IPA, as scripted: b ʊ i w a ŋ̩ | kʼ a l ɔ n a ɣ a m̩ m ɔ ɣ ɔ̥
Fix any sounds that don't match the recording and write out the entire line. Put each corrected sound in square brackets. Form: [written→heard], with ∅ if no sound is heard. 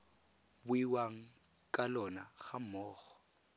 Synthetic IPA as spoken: b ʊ i w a ŋ̩ | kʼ a l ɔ n a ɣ a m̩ m [ɔ→ɔː] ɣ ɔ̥